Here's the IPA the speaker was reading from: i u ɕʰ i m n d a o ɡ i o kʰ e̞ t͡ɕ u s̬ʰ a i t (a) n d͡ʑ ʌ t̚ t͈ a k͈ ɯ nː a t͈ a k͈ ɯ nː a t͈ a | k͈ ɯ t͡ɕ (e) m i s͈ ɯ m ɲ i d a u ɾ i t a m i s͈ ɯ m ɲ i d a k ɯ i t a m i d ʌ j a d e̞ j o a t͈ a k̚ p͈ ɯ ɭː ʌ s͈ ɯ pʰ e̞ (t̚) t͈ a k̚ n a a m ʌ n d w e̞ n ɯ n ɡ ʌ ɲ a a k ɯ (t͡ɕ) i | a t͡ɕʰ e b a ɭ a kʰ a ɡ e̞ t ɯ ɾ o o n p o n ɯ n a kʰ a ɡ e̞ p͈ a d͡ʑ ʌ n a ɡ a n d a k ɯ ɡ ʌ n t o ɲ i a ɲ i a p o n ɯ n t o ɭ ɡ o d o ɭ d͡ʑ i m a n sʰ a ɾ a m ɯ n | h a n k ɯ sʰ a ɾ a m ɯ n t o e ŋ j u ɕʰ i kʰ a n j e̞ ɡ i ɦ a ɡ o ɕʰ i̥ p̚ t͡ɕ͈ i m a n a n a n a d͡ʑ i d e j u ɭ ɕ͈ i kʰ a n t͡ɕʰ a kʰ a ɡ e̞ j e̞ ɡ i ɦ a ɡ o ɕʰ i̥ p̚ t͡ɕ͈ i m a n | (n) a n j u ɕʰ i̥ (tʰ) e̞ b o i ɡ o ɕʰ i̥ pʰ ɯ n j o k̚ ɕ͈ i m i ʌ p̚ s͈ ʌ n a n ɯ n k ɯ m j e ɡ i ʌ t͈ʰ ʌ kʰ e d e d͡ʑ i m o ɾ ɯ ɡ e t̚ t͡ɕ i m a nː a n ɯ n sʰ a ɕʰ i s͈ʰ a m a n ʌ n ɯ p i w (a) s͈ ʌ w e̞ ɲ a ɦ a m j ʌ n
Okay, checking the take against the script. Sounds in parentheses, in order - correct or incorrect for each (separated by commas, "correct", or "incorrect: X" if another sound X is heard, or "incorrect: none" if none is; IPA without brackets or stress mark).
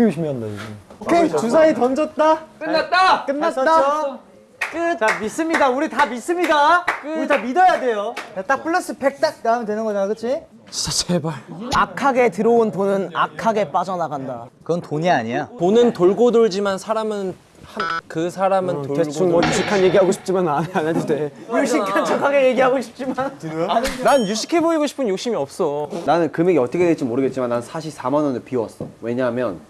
incorrect: ʌ, incorrect: a, incorrect: k̚, incorrect: t͡ɕʰ, correct, incorrect: kʰ, incorrect: ʌ